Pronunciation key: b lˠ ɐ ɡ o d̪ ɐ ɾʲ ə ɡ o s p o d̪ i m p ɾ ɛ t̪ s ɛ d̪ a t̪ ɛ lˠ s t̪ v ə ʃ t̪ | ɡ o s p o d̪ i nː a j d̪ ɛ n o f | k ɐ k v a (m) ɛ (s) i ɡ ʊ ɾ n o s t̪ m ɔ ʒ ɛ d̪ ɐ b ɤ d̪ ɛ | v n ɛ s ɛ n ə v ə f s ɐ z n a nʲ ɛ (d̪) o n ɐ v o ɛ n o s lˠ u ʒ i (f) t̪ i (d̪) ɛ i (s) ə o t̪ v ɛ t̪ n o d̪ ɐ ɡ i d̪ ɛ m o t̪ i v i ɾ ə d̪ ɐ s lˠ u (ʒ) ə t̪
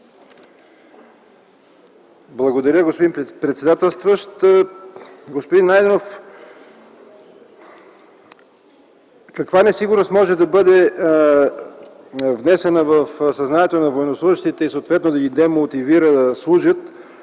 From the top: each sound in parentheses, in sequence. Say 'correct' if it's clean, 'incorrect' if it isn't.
incorrect: n, correct, incorrect: t̪, incorrect: ʃ, incorrect: t̪, correct, correct

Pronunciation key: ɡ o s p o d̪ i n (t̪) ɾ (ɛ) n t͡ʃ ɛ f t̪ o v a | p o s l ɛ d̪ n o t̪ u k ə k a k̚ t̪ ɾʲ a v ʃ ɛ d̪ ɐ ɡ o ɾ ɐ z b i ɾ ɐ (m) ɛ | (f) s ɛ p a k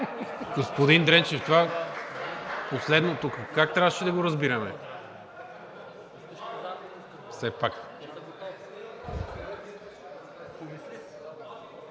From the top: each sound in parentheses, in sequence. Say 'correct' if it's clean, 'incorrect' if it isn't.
incorrect: d̪, correct, correct, correct

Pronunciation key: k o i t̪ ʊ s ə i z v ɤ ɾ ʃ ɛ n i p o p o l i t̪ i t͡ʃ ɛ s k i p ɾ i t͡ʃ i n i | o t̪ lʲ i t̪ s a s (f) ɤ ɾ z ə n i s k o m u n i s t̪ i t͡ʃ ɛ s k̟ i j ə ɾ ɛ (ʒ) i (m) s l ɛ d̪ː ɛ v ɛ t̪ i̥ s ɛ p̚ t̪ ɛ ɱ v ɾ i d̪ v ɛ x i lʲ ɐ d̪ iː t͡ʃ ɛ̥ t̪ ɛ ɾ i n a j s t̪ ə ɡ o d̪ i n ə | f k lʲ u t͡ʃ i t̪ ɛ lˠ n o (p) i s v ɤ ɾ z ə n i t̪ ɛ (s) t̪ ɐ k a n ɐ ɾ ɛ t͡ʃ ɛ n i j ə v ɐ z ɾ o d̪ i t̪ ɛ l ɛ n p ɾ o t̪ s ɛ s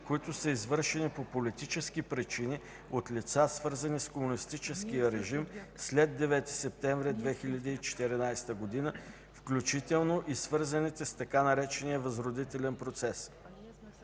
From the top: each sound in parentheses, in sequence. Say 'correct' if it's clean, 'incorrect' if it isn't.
incorrect: v, correct, correct, incorrect: ʔ, correct

